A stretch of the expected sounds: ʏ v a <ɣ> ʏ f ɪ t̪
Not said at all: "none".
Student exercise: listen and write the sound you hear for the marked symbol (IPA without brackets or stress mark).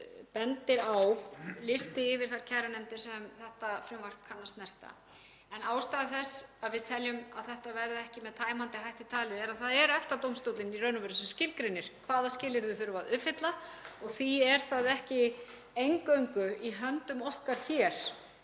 ð